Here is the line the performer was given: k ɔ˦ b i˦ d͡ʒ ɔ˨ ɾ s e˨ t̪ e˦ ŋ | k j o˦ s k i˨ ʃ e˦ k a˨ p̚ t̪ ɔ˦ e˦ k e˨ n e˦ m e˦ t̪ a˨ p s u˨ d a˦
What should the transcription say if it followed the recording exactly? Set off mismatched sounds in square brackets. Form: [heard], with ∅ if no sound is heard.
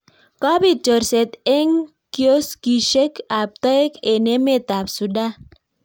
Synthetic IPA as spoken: k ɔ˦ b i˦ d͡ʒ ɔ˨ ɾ s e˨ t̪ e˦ ŋ | k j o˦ s k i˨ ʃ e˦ k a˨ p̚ t̪ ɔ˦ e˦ k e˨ n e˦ m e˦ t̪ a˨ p s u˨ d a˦